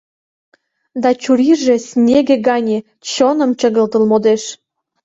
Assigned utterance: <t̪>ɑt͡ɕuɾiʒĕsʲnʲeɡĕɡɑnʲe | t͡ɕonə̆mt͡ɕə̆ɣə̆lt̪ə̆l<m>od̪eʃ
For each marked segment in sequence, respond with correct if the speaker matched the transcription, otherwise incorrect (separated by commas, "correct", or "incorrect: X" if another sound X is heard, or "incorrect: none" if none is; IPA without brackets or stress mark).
incorrect: d̪, correct